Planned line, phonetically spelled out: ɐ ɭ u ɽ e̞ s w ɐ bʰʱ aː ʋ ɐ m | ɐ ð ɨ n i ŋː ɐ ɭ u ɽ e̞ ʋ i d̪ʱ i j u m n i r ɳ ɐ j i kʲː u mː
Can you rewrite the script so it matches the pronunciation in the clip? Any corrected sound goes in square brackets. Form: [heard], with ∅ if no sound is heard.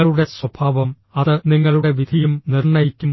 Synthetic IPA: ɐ ɭ u ɽ e̞ s w ɐ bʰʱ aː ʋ ɐ m | ɐ ð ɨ n i ŋː ɐ ɭ u ɽ e̞ ʋ i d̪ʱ i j u m n i r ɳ ɐ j i kʲː u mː